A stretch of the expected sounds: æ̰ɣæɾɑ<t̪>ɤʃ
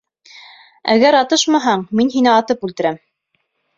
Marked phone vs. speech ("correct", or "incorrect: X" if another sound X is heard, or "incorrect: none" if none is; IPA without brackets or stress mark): correct